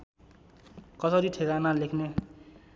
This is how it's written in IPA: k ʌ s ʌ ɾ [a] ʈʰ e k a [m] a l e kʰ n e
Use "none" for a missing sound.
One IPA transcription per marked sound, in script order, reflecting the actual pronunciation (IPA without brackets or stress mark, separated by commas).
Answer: i, n